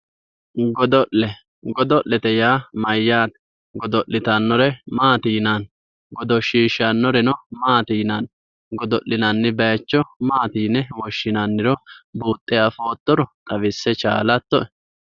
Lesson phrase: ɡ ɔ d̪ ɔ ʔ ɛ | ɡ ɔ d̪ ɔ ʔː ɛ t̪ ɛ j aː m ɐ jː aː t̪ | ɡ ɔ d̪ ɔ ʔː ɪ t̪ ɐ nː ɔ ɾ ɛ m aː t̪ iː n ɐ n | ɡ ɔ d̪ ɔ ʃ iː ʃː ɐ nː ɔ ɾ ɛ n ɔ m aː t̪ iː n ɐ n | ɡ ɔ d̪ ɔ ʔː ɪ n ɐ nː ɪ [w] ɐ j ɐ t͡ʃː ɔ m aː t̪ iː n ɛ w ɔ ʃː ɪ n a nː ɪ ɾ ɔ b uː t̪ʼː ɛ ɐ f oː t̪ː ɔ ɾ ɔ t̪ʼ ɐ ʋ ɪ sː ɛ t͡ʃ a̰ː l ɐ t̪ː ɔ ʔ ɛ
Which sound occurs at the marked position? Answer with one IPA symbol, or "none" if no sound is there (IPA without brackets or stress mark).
b